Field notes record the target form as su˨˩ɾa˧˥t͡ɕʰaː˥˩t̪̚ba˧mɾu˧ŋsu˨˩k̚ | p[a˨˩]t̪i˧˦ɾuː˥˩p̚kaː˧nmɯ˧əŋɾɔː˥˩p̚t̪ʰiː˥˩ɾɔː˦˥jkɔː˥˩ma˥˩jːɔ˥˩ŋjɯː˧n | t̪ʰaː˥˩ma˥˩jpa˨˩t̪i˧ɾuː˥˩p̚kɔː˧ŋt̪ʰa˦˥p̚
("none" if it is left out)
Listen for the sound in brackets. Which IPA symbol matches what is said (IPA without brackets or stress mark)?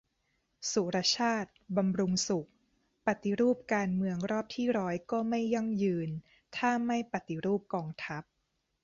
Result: a˨˩